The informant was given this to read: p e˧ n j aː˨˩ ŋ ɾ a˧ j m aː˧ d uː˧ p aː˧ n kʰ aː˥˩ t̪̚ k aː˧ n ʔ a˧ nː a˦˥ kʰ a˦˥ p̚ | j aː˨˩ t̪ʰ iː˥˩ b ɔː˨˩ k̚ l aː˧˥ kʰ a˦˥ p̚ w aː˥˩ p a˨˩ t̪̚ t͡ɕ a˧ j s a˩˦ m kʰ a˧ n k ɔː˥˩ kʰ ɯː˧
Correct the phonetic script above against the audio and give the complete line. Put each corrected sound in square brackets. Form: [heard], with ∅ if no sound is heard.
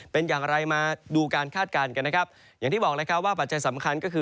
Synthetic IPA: p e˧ n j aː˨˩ ŋ ɾ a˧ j m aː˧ d uː˧ [k] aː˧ n kʰ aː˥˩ t̪̚ k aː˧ n [k] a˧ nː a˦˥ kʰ a˦˥ p̚ | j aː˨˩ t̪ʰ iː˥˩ b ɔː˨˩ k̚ l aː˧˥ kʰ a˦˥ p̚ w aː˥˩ p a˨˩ t̪̚ t͡ɕ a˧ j s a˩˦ m kʰ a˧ n k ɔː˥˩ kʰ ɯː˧